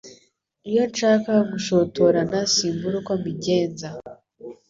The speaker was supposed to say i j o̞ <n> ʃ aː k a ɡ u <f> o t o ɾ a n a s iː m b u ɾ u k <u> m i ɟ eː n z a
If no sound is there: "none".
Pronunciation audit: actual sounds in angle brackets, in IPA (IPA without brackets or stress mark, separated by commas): n, ʃ, o